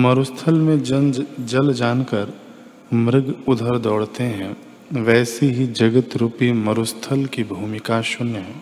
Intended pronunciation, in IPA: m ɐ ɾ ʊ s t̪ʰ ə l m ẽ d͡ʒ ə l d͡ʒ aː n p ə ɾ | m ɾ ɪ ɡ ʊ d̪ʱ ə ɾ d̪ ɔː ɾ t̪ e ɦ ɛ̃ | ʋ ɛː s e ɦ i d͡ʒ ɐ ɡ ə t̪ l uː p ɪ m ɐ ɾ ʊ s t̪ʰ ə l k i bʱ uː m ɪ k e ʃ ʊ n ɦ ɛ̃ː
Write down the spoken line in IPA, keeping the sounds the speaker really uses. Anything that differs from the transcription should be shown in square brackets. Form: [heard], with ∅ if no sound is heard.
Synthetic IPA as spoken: m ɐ ɾ ʊ s t̪ʰ ə l m ẽ d͡ʒ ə l d͡ʒ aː n [k] ə ɾ | m ɾ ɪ ɡ ʊ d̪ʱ ə ɾ d̪ ɔː [ɽ] t̪ e ɦ ɛ̃ | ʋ ɛː s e ɦ i d͡ʒ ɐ ɡ ə t̪ [ɾ] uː p [i] m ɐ ɾ ʊ s t̪ʰ ə l k i bʱ uː m ɪ k [a] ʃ ʊ n ɦ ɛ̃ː